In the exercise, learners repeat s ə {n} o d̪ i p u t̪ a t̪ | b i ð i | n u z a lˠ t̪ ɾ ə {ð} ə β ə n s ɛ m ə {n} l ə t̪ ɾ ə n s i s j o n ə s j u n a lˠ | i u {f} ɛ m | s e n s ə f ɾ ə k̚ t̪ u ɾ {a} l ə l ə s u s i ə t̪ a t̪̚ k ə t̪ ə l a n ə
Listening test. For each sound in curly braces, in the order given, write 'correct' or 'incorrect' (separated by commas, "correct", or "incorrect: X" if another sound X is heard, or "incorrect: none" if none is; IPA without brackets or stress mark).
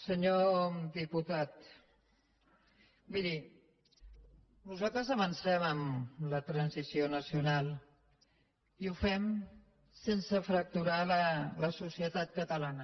incorrect: ɲ, incorrect: z, incorrect: m, correct, correct